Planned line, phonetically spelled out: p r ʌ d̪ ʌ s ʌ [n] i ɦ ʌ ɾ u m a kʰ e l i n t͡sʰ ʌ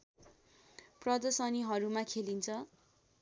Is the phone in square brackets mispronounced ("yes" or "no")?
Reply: no